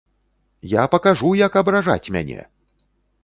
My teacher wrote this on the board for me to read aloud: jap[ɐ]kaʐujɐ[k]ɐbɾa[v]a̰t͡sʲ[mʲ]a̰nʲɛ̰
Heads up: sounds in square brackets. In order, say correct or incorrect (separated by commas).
correct, correct, incorrect, correct